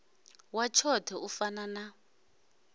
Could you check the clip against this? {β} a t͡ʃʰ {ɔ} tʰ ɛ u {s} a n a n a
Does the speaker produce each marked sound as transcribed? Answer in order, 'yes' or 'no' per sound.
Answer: no, yes, no

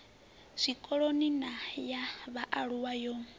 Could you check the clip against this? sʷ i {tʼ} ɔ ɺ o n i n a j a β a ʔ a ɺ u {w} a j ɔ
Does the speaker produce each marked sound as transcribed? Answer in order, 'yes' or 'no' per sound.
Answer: no, yes

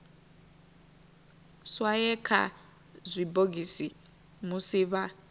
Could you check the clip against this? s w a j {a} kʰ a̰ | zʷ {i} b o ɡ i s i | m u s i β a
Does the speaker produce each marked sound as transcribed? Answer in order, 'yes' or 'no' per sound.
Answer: no, yes

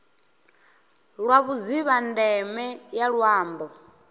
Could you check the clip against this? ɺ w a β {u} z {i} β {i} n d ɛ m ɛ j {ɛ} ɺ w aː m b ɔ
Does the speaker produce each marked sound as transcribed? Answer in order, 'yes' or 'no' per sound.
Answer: yes, yes, no, no

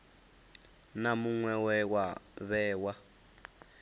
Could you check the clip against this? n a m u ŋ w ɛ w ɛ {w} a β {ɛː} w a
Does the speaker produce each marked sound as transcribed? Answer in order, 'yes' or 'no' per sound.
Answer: yes, yes

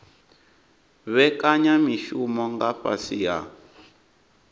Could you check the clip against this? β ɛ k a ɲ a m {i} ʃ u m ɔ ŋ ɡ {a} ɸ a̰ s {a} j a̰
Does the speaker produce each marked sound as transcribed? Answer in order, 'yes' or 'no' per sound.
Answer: yes, yes, no

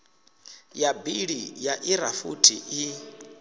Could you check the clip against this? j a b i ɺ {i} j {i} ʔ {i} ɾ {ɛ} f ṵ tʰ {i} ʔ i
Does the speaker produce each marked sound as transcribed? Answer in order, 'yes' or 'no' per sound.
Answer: yes, no, yes, no, yes

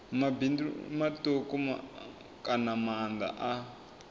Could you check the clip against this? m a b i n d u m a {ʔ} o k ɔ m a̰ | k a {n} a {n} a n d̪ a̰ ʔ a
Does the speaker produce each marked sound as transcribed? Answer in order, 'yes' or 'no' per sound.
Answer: no, yes, no

